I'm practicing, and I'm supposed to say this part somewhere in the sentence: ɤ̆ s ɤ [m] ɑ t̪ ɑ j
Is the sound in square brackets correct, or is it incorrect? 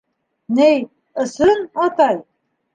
incorrect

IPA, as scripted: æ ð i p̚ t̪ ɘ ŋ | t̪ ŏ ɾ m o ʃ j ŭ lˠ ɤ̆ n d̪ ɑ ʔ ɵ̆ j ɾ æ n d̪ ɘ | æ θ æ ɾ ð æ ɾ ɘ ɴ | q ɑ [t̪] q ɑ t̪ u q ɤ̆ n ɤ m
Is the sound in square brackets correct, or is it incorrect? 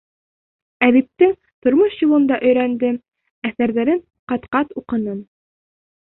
correct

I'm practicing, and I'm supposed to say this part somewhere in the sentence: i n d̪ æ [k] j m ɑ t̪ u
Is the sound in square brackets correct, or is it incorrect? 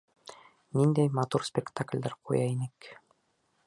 incorrect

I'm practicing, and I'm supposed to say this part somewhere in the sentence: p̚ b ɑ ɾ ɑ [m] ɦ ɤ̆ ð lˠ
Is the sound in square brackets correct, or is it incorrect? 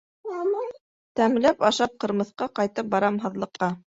correct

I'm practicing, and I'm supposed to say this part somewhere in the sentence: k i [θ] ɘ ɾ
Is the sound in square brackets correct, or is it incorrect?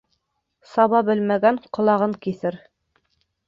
correct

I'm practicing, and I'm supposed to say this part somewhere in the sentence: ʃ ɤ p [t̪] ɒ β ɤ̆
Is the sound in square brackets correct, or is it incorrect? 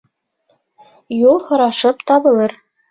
correct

